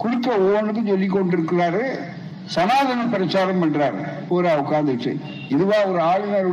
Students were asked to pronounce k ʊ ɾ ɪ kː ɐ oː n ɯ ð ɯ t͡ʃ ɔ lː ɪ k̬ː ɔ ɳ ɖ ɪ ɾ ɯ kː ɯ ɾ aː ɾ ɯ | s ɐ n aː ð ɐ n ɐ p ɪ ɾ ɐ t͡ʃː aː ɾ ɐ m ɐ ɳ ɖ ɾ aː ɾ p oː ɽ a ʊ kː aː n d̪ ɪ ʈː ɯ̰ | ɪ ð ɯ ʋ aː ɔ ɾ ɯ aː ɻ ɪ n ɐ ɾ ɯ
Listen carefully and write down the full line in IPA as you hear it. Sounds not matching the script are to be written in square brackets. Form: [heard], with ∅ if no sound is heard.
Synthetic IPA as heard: k ʊ [ɽ] ɪ kː ɐ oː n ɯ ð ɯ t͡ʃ ɔ lː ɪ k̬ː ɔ ɳ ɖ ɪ ɾ ɯ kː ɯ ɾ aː ɾ ɯ | s ɐ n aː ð ɐ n ɐ p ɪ ɾ ɐ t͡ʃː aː ɾ ɐ m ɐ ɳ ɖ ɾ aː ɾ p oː [ɾ] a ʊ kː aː n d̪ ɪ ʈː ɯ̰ | ɪ ð ɯ ʋ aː ɔ ɾ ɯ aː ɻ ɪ n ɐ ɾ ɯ